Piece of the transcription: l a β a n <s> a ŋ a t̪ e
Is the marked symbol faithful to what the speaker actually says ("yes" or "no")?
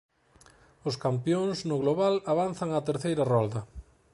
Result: no